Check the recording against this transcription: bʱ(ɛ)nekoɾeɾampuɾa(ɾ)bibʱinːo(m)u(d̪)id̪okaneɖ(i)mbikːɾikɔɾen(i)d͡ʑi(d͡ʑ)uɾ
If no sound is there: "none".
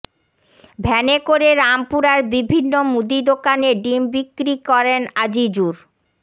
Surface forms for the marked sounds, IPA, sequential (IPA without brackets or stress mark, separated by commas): ɛ, ɾ, m, d̪, i, a, d͡ʑ